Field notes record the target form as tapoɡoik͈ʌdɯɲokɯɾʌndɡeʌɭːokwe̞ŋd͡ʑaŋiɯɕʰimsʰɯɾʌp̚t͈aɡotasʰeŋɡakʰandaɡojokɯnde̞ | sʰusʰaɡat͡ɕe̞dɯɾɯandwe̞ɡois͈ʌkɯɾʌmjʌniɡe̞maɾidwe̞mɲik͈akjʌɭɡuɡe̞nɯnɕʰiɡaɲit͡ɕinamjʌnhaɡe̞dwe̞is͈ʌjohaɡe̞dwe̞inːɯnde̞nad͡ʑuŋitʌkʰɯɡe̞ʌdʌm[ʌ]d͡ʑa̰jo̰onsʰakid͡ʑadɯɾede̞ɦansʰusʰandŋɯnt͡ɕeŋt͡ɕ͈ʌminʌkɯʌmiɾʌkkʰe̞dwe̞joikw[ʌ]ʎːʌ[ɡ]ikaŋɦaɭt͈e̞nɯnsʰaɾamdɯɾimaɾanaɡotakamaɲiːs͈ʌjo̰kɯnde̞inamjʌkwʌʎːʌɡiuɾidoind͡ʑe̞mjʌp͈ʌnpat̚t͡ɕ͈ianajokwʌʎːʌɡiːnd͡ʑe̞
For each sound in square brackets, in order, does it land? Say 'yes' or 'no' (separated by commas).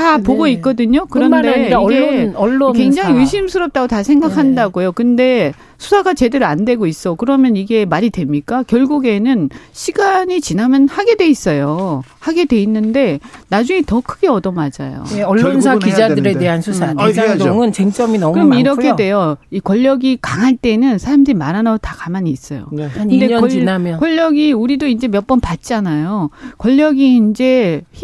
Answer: no, yes, yes